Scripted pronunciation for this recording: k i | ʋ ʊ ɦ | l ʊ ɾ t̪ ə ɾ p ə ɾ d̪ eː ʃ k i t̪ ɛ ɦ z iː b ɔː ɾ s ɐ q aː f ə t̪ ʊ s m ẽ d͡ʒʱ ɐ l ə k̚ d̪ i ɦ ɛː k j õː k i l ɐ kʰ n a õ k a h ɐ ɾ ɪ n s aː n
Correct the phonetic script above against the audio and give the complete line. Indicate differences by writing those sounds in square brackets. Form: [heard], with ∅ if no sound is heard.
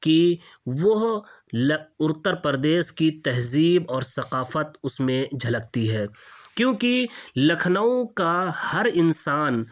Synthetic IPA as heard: k i | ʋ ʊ ɦ | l ʊ ɾ t̪ ə ɾ p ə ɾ d̪ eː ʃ k i t̪ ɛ ɦ z iː b ɔː ɾ s ɐ q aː f ə t̪ ʊ s m ẽ d͡ʒʱ ɐ l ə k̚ [t̪] i ɦ ɛː k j õː k i l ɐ kʰ n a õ k a h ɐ ɾ ɪ n s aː n